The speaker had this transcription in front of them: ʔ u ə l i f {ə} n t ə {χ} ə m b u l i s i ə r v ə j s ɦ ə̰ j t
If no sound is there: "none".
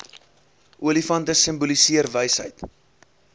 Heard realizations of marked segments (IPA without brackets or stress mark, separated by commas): ɐ, s